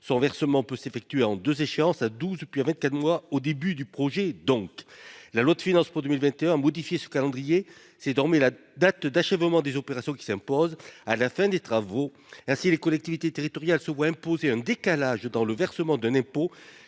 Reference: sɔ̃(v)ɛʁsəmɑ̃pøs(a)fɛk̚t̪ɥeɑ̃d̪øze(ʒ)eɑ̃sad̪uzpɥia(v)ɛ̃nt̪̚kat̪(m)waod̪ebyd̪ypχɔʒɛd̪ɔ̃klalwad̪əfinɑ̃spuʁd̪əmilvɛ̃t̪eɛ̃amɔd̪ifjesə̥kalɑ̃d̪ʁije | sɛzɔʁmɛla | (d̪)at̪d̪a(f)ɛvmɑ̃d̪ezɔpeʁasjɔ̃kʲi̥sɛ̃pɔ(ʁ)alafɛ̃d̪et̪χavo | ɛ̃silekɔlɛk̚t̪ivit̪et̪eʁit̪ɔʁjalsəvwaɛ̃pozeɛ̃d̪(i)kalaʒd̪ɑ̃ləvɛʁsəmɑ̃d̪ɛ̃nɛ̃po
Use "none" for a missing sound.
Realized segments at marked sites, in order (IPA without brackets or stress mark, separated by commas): v, e, ʃ, v, m, d̪, ʃ, z, e